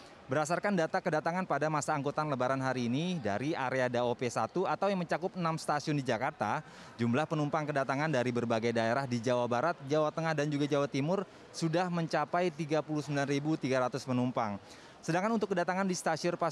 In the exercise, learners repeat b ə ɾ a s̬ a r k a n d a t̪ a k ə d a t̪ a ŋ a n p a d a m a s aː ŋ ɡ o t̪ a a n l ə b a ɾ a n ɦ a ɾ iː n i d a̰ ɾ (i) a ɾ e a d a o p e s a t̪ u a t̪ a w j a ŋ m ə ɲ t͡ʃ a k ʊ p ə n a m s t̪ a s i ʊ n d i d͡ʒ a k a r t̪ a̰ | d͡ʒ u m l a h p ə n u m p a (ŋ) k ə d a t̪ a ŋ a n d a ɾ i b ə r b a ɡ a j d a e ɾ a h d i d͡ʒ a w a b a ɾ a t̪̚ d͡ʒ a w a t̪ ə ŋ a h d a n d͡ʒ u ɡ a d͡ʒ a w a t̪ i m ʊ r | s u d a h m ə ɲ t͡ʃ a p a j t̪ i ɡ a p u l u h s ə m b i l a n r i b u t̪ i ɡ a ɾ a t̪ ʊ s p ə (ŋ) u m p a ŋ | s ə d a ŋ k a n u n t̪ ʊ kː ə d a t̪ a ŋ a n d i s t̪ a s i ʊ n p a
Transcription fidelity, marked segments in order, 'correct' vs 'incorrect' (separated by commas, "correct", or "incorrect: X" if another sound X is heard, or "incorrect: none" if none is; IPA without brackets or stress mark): correct, correct, incorrect: n